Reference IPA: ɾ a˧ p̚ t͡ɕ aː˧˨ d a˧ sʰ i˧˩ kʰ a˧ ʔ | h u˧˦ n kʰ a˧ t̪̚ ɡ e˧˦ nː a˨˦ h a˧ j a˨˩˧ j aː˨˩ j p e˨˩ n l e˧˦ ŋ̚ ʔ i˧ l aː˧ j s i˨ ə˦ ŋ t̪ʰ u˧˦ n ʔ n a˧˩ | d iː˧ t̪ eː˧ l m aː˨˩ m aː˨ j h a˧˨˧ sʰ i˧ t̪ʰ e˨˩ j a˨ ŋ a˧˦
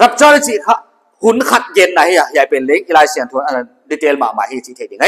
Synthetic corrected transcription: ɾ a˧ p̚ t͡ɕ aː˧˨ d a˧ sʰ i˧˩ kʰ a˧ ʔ | h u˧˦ n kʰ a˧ t̪̚ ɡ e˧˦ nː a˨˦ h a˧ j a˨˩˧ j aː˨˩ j p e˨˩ n l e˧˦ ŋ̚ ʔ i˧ l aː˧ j s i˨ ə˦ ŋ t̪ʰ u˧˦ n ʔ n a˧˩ | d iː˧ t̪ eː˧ l m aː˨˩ m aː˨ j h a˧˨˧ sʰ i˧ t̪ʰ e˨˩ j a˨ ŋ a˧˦

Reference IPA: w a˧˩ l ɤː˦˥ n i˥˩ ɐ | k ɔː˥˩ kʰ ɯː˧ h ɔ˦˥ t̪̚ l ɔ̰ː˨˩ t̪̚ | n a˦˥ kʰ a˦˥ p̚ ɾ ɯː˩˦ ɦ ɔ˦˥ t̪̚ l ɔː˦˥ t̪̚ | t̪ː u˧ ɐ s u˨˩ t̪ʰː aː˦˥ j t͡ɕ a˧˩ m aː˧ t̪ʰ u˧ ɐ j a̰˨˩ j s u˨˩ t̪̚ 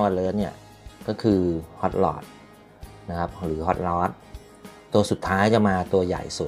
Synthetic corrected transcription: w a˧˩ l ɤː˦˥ n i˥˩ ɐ | k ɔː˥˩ kʰ ɯː˧ h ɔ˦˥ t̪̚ l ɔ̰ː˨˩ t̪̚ | n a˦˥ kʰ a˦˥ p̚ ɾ ɯː˩˦ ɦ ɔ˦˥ t̪̚ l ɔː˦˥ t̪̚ | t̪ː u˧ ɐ s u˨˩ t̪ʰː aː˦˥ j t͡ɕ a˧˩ m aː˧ t̪ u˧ ɐ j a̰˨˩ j s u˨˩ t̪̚

